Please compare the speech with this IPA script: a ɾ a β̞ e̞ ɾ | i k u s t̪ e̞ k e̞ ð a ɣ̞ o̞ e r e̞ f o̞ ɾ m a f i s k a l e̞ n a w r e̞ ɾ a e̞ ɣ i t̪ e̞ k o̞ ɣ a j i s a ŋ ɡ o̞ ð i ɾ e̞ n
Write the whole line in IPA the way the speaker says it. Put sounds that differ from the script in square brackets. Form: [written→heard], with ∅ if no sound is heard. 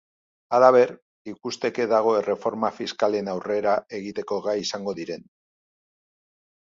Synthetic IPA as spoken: a [ɾ→l] a β̞ e̞ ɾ | i k u s t̪ e̞ k e̞ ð a ɣ̞ o̞ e r e̞ f o̞ ɾ m a f i s k a l e̞ n a w r e̞ ɾ a e̞ ɣ i t̪ e̞ k o̞ ɣ a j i s a ŋ ɡ o̞ ð i ɾ e̞ n